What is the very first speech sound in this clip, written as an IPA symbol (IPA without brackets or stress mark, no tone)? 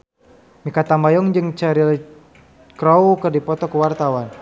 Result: m